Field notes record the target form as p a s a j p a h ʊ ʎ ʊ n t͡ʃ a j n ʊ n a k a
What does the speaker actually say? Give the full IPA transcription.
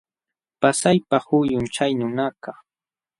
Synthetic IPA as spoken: p a s a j p a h ʊ j ʊ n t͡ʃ a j n ʊ n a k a